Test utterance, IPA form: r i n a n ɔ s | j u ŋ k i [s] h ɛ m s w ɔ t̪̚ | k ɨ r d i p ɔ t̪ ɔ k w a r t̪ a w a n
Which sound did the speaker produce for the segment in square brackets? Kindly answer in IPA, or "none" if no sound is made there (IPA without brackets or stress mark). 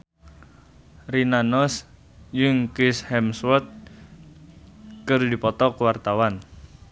s